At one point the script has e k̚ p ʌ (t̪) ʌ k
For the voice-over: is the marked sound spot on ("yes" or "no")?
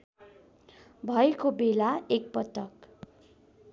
yes